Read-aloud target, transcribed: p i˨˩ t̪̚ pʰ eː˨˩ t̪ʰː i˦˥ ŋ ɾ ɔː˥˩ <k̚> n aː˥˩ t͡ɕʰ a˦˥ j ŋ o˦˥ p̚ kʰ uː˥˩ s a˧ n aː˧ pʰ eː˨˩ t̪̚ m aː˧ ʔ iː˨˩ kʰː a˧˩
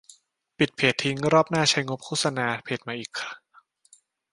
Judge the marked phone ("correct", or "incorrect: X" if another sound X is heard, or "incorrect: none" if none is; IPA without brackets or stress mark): incorrect: p̚